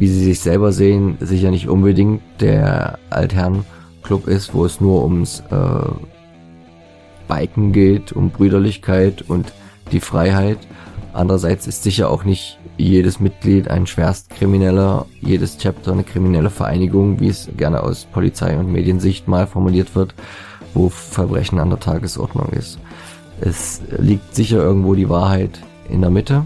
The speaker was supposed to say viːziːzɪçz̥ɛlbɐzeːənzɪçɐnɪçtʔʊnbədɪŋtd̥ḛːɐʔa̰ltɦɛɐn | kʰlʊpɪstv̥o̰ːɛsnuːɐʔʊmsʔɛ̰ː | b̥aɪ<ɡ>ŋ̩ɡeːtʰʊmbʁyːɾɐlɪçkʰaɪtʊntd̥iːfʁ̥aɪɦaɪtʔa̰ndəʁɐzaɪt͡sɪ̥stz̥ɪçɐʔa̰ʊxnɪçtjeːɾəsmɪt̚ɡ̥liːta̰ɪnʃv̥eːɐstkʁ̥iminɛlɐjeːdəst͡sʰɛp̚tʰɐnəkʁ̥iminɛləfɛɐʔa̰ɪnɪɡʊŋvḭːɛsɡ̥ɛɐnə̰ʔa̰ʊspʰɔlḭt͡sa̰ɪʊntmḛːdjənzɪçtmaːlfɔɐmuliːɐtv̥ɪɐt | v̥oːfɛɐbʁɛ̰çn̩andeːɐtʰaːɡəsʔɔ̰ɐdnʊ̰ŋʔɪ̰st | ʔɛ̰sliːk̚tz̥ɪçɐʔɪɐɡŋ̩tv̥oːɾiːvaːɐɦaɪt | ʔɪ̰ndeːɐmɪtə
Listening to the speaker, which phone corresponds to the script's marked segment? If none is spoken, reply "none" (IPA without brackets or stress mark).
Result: k